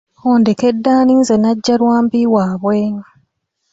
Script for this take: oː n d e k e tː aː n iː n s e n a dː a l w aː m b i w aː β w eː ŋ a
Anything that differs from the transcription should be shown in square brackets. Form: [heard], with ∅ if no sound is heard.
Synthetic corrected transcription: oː n d e k e [dː] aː n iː n [z] e n a [ɟː] a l w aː m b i w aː β w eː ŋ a